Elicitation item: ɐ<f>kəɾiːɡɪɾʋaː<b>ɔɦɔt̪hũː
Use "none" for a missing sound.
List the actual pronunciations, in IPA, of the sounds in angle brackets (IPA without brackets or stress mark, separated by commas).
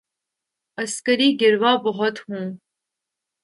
s, b